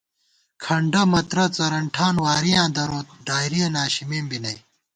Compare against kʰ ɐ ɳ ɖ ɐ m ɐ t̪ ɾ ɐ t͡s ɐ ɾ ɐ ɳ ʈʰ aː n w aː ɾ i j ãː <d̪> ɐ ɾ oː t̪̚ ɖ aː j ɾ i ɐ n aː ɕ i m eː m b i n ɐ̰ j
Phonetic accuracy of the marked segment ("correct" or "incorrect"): correct